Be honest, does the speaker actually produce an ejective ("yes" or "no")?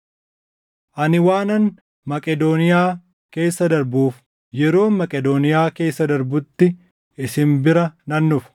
yes